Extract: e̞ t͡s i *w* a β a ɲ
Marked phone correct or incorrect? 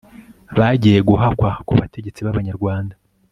incorrect